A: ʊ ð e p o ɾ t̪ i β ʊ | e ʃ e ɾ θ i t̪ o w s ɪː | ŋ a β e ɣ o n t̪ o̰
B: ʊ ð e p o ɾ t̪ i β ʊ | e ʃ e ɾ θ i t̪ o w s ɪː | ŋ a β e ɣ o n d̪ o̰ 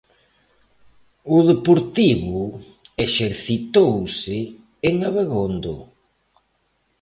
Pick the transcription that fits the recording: B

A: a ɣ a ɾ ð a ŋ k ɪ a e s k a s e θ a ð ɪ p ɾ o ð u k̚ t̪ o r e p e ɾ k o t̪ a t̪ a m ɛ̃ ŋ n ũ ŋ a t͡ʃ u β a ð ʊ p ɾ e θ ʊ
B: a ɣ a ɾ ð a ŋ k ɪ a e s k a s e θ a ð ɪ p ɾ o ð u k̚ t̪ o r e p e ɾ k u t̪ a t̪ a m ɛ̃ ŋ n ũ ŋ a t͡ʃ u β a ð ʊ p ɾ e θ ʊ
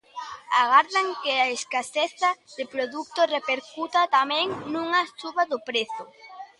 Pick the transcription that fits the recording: B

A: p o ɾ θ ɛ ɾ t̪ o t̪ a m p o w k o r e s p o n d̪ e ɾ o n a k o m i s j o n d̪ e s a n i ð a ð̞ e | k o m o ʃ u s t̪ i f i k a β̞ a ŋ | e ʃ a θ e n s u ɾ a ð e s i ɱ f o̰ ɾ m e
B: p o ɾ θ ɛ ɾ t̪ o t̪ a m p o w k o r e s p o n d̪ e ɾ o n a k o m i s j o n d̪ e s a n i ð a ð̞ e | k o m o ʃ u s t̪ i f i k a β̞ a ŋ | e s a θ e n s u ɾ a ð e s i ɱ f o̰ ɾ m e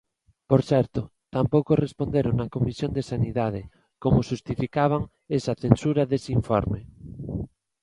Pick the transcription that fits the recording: B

